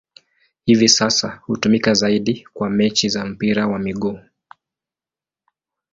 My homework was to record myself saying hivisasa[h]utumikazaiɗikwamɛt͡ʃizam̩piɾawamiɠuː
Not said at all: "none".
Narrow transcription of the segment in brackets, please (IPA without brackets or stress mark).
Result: h